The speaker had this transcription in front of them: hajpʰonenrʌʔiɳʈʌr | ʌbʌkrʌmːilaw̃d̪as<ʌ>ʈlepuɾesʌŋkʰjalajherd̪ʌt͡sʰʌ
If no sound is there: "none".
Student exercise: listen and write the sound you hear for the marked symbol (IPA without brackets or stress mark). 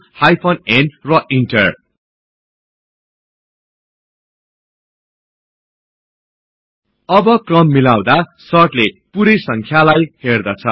ʌ